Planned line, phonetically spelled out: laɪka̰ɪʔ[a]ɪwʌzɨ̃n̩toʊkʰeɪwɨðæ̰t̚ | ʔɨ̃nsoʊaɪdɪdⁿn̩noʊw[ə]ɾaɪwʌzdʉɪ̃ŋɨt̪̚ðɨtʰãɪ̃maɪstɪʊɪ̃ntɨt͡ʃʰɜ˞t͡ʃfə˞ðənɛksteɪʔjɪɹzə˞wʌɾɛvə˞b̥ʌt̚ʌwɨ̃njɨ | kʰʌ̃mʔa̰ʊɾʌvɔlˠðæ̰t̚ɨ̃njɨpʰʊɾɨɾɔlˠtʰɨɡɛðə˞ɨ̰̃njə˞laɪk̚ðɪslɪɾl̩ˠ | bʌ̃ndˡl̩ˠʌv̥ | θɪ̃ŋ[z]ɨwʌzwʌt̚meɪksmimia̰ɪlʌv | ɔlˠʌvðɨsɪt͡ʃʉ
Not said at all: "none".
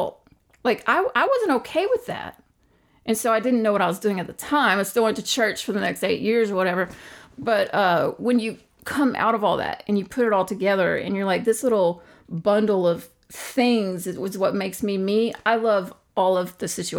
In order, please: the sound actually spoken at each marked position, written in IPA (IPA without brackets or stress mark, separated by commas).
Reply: a, ʌ, z